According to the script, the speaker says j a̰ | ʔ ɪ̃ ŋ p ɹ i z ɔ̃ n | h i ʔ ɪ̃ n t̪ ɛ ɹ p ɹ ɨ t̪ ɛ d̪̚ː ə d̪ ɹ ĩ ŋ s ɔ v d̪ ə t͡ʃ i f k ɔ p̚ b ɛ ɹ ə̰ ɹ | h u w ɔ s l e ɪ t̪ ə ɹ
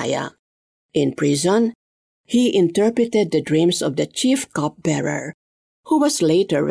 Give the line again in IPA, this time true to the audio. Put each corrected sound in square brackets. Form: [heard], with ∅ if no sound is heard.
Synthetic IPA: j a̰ | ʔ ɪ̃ [n] p ɹ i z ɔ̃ n | h i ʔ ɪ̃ n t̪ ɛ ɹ p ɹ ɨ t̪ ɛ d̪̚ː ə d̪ ɹ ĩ [m] s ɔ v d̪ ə t͡ʃ i f k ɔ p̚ b ɛ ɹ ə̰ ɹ | h u w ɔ s l e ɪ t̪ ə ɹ